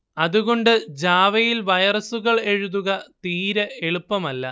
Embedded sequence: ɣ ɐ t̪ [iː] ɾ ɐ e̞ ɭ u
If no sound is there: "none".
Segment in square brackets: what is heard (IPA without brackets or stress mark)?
iː